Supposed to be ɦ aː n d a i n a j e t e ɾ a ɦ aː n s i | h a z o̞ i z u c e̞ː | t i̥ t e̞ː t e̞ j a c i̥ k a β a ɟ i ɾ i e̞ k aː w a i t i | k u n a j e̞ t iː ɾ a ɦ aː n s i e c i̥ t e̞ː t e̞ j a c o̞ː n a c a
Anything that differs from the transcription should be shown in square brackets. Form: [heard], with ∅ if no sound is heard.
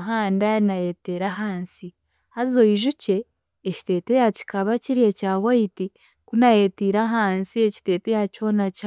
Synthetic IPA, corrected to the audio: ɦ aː n d a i n a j e t e ɾ a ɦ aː n s i | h a z o̞ i [ʒ] u c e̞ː | [c] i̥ t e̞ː t e̞ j a c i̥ k a β a [c] i ɾ i e̞ [c] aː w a i t i | k u n a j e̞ t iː ɾ a ɦ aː n s i e c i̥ t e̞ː t e̞ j a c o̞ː n a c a

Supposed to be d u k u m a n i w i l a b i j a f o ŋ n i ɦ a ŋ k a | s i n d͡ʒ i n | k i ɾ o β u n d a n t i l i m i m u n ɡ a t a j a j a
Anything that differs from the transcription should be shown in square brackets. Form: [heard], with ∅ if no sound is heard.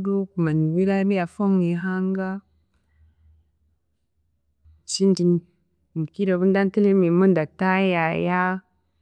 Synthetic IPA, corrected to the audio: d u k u m a n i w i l a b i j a f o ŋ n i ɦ a ŋ [ɡ] a | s i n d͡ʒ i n | k i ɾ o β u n d a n t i l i m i m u n [d] a t a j a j a

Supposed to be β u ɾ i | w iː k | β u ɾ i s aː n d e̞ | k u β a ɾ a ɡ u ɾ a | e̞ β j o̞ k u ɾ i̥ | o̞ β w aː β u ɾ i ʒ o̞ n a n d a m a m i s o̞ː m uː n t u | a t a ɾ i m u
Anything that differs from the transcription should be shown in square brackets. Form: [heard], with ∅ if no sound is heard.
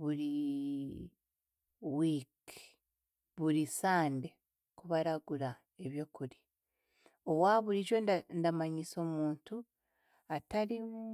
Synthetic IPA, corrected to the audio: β u ɾ i | w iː k | β u ɾ i s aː n d e̞ | k u β a ɾ a ɡ u ɾ a | e̞ β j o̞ k u ɾ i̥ | o̞ β w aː β u ɾ i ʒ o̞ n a n d a m a [ɲ] i s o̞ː m uː n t u | a t a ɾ i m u

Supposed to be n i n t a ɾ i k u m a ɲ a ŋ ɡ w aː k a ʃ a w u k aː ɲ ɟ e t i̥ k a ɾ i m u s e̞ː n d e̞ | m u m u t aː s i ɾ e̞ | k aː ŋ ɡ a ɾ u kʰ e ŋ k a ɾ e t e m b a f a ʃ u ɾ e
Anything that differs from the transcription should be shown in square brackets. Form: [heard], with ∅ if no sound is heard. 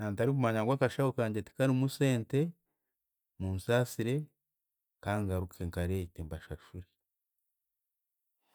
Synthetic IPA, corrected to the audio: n [a] n t a ɾ i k u m a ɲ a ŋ ɡ w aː k a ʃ a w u k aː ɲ ɟ e t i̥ k a ɾ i m u s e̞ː n [t] e̞ | m u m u [s] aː s i ɾ e̞ | k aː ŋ ɡ a ɾ u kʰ e ŋ k a ɾ e t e m b a [ʃ] a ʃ u ɾ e

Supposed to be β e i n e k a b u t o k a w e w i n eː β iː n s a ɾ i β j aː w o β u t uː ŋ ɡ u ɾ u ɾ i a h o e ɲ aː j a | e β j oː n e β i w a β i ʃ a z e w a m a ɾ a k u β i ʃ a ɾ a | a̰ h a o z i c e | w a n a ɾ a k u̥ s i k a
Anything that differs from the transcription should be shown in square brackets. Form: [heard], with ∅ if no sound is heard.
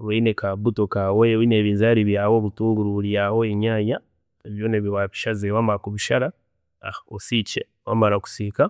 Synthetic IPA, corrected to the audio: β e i n e k a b u t o k a w e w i n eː β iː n [z] a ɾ i β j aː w o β u t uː ŋ ɡ u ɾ u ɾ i a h o e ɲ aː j a | e β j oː n e β i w a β i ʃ a z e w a m a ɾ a k u β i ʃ a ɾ a | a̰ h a o [s] i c e | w a [m] a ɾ a k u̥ s i k a

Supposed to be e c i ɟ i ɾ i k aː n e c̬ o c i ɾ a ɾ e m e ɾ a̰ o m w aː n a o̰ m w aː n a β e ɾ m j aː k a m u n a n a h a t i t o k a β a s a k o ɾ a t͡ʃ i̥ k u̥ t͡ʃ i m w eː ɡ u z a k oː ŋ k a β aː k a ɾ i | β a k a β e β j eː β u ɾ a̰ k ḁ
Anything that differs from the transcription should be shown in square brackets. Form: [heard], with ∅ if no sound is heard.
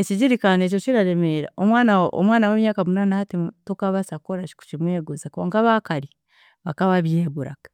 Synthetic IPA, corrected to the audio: e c i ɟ i ɾ i k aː n e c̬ o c i ɾ a ɾ e m e ɾ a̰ o m w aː n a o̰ m w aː n a [w] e [∅] m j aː k a m u n a n a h a t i t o k a β a s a k o ɾ a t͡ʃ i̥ k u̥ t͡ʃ i m w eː ɡ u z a k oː ŋ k a β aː k a ɾ i | β a k a β [a] β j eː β u ɾ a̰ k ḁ

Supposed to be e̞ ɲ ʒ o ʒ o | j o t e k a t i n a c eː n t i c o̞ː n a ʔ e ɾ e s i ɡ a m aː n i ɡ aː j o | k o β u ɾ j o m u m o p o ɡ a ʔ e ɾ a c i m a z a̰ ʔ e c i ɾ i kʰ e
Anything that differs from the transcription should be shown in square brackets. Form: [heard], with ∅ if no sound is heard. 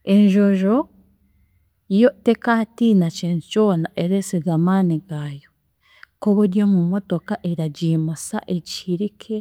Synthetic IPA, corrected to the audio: e̞ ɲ ʒ o ʒ o | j o t e k a t i n a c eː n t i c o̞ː n a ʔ e ɾ e s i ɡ a m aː n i ɡ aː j o | k o β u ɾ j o m u m o [t] o [k] a ʔ e ɾ a [ɟ] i m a [s] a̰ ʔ e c i ɾ i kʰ e

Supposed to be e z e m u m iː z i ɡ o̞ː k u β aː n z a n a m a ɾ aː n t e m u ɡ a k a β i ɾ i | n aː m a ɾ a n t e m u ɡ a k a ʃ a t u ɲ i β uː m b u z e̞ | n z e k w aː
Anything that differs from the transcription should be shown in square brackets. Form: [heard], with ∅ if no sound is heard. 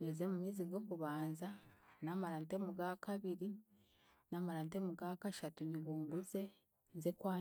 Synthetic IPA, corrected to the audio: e z e m u m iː z i ɡ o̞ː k u β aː n z a n a m a ɾ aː n t e m u ɡ a k a β i ɾ i | n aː m a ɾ a n t e m u ɡ a k a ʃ a t u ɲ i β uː m b u z e̞ | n z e k w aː

